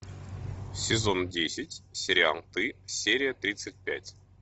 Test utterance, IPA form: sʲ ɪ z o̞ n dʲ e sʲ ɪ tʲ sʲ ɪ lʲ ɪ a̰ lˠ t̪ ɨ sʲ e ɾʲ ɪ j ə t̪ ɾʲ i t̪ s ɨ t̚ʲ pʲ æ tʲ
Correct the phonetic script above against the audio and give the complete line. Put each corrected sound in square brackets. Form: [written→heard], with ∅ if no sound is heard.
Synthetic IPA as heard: sʲ ɪ z o̞ n dʲ e sʲ ɪ tʲ sʲ ɪ [lʲ→ɾʲ] ɪ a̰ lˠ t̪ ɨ sʲ e ɾʲ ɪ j ə t̪ ɾʲ i t̪ s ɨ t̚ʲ pʲ æ tʲ

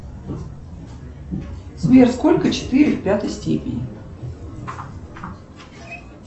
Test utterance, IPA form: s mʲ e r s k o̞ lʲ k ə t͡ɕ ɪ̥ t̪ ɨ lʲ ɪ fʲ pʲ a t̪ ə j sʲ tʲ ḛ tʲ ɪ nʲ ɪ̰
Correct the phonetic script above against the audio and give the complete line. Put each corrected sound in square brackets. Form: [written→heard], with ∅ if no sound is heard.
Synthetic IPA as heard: s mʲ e r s k o̞ lʲ k ə t͡ɕ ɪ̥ t̪ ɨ [lʲ→ɾʲ] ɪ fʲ pʲ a t̪ ə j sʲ tʲ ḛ [tʲ→pʲ] ɪ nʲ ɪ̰

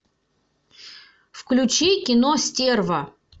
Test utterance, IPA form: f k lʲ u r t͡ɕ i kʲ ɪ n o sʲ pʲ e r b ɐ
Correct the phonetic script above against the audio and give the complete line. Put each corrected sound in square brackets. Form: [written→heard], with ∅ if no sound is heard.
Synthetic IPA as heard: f k lʲ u [r→∅] t͡ɕ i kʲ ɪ n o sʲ [pʲ→tʲ] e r [b→v] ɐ

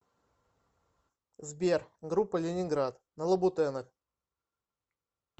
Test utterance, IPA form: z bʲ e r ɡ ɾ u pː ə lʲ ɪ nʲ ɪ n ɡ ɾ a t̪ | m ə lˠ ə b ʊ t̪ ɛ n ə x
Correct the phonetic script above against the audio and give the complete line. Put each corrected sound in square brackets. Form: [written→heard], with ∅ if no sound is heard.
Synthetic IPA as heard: z bʲ e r ɡ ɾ u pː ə lʲ ɪ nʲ ɪ n ɡ ɾ a t̪ | [m→n] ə lˠ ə b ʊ t̪ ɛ n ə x

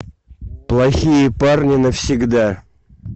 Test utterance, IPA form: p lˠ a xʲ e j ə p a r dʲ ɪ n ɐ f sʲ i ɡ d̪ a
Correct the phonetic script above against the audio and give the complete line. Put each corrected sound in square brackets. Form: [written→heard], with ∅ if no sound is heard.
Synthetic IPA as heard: p lˠ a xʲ [e→i] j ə p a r [dʲ→nʲ] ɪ n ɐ f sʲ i ɡ d̪ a

